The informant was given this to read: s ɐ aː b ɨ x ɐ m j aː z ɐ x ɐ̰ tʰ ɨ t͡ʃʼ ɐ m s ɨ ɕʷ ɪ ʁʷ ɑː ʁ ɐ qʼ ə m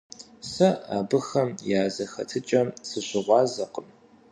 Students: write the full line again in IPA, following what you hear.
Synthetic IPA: s ɐ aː b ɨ x ɐ m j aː z ɐ x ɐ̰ tʰ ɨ t͡ʃʼ ɐ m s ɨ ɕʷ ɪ ʁʷ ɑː z ɐ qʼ ə m

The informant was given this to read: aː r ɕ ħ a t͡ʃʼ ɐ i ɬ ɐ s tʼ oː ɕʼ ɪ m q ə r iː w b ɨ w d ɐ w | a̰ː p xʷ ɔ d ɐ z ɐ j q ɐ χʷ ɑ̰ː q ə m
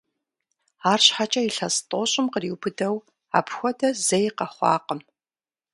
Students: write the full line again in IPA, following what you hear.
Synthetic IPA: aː r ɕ ħ a t͡ʃʼ ɐ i ɬ ɐ s tʼ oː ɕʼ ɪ m q ə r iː w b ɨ d ɐ w | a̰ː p xʷ ɔ d ɐ z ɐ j q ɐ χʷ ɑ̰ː q ə m

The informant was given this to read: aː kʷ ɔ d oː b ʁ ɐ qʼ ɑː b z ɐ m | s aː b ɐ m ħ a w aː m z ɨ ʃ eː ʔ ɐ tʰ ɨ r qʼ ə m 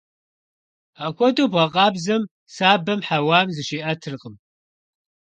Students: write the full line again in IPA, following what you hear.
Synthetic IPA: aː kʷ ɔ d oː b ʁ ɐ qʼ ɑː b z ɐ m | s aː b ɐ m ħ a w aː m z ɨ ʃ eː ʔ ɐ tʰ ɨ r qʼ ə m

